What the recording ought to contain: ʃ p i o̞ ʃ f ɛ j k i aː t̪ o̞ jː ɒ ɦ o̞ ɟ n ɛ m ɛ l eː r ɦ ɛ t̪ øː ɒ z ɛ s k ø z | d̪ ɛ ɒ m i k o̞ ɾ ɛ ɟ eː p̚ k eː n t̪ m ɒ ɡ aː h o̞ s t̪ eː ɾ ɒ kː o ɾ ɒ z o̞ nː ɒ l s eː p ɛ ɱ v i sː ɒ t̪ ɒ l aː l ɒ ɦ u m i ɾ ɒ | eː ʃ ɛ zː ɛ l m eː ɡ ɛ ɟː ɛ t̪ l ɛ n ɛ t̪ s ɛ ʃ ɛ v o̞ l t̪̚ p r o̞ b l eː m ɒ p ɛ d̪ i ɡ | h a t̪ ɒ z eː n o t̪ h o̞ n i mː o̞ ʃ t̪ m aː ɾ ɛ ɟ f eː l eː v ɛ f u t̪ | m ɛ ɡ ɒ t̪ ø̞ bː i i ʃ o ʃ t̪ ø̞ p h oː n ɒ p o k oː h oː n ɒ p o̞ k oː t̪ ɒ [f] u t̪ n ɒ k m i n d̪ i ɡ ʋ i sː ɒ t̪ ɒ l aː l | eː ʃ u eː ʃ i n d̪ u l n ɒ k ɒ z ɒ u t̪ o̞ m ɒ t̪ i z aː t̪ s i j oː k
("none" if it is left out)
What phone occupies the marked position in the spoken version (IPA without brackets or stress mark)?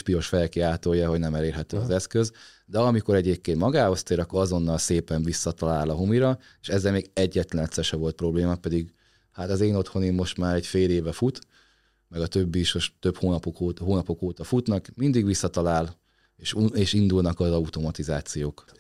f